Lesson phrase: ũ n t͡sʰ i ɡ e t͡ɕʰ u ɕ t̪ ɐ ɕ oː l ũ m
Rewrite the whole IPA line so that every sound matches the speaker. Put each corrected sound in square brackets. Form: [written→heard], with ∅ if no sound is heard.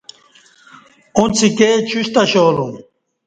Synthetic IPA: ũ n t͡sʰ i [ɡ→k] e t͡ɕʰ u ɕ t̪ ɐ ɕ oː l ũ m